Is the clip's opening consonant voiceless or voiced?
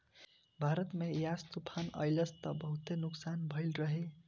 voiced